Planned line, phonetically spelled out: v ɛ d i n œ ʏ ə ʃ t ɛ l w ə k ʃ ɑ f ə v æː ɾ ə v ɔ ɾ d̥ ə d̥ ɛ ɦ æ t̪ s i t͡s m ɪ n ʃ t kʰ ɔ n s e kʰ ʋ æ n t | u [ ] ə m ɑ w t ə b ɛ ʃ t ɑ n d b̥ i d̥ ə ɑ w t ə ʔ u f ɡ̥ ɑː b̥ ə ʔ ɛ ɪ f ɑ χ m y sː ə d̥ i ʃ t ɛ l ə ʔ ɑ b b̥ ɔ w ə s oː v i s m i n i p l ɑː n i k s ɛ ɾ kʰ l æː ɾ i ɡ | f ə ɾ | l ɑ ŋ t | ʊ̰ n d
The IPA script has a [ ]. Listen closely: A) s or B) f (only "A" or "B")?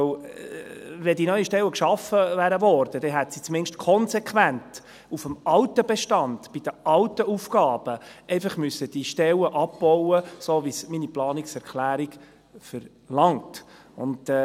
B